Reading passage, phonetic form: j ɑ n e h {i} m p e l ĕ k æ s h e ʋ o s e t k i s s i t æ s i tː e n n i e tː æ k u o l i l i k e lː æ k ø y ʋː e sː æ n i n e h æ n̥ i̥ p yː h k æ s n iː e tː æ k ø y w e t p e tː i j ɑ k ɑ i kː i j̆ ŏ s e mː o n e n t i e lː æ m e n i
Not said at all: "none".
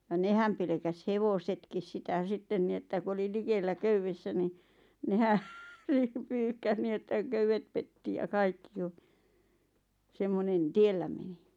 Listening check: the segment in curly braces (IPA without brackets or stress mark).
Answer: æ